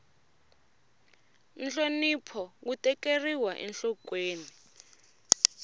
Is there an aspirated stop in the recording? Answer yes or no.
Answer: yes